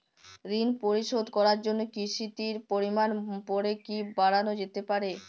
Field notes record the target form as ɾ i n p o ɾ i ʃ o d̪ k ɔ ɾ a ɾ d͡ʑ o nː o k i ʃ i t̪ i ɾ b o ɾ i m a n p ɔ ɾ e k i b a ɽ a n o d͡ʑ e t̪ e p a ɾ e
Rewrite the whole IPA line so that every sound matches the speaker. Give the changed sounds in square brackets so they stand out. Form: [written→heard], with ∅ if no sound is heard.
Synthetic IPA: ɾ i n p o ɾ i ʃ o d̪ k ɔ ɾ a ɾ d͡ʑ o nː o k i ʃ i t̪ i ɾ [b→p] o ɾ i m a n p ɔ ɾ e k i b a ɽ a n o d͡ʑ e t̪ e p a ɾ e